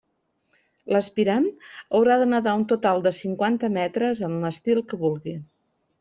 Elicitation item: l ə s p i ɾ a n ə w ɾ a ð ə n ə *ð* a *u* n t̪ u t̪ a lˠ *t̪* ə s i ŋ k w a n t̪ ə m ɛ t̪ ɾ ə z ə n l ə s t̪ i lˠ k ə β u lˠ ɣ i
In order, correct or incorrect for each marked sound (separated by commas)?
correct, correct, incorrect